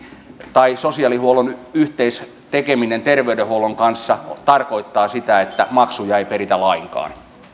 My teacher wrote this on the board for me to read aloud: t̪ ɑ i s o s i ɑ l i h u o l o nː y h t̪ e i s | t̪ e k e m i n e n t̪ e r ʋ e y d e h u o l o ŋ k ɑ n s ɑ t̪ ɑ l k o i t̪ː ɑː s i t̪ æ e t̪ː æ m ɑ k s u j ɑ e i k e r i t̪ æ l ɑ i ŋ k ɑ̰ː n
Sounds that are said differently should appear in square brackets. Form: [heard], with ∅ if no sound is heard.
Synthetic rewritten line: t̪ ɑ i s o s i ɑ l i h u o l o [n] y h t̪ e i s | t̪ e k e m i n e n t̪ e r ʋ e y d e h u o l o ŋ k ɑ n [sː] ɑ t̪ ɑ [r] k o i t̪ː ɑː s i t̪ æ e t̪ː æ m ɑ k s u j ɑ e i [p] e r i t̪ æ l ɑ i ŋ k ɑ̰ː n